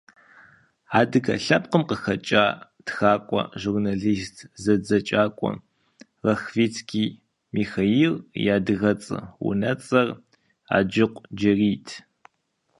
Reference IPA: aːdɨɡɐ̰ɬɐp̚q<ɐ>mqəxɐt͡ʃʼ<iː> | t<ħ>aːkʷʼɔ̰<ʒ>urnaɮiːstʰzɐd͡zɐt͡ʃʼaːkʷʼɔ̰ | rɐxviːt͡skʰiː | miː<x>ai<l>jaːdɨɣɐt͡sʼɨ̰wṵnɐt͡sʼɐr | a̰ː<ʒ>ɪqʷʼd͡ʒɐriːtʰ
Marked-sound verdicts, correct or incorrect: incorrect, incorrect, incorrect, correct, correct, incorrect, incorrect

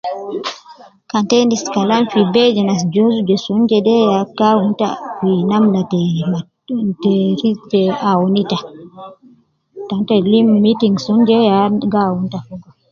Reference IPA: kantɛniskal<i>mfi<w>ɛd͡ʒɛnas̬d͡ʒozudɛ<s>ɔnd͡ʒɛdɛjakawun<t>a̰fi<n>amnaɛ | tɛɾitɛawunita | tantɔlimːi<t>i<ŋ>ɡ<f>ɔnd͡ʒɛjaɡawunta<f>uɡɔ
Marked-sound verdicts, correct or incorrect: incorrect, incorrect, correct, correct, correct, correct, correct, incorrect, correct

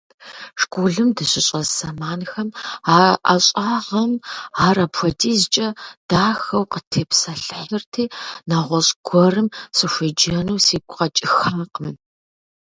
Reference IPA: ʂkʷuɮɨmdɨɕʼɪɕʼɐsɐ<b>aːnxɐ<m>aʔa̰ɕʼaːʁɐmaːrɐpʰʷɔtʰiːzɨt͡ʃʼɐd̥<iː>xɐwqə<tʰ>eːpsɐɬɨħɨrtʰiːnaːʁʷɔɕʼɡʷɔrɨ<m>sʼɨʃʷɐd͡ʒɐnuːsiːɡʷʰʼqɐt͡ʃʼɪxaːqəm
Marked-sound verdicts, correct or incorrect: incorrect, correct, incorrect, correct, correct

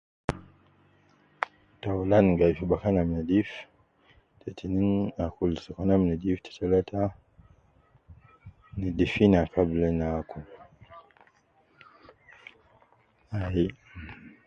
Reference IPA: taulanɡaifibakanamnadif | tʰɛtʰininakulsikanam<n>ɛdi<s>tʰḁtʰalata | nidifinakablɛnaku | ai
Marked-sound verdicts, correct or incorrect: correct, incorrect

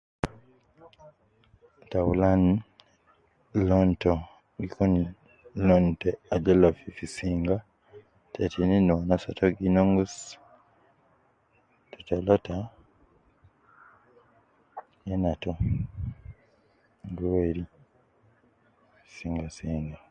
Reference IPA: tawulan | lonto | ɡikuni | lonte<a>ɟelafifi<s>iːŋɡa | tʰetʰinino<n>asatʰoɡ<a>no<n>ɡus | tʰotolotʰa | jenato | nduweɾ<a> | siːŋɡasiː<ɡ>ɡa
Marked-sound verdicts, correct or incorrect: correct, correct, correct, incorrect, incorrect, incorrect, incorrect

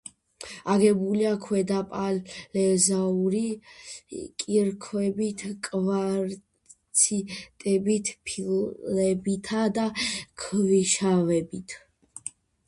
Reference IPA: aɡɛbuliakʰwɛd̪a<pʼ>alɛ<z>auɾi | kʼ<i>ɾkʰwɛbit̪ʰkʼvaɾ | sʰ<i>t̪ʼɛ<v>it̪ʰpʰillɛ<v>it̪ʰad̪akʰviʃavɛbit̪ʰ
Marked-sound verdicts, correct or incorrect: correct, correct, correct, correct, incorrect, incorrect

